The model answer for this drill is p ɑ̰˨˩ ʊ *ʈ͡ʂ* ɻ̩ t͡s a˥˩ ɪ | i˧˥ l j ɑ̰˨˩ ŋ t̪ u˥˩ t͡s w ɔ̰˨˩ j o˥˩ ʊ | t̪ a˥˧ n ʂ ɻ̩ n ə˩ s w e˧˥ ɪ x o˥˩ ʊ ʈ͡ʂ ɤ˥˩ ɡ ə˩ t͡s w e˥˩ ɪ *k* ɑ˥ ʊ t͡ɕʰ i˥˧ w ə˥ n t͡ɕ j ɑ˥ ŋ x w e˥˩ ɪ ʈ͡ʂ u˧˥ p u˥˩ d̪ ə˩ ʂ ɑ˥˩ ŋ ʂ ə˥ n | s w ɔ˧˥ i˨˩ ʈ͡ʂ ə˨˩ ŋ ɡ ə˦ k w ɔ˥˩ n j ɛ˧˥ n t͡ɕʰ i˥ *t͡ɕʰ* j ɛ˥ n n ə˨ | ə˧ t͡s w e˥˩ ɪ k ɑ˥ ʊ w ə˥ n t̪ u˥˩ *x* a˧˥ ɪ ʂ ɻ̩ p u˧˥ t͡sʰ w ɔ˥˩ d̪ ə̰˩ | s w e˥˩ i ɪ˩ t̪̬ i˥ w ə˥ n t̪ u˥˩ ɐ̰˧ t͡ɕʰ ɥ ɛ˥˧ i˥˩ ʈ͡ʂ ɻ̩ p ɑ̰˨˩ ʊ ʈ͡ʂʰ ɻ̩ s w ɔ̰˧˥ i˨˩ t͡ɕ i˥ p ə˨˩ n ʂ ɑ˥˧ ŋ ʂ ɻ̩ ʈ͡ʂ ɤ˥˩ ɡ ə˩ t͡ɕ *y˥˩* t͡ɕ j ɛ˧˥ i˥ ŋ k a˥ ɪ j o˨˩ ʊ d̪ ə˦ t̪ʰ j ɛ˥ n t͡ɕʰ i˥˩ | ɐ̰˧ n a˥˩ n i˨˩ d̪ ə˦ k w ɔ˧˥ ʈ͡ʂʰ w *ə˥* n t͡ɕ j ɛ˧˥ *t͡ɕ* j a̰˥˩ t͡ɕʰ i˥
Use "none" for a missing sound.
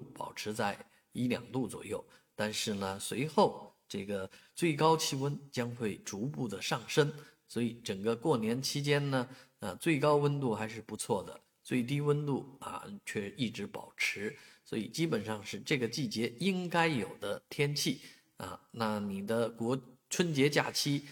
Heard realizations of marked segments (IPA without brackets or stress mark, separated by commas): ʈ͡ʂʰ, k, t͡ɕ, x, i˥˩, ə˥, t͡ɕ